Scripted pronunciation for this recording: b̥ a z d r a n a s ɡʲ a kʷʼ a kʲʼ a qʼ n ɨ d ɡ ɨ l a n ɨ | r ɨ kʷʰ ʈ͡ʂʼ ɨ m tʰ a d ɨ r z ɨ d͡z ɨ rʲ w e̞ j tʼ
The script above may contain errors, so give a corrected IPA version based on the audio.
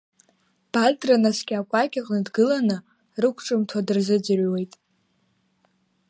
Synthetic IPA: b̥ a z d r a n a s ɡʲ a kʷʼ a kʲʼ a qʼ n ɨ d ɡ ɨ l a n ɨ | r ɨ kʷʰ ʈ͡ʂʼ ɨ m tʰ a d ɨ r z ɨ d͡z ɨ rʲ w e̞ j tʼ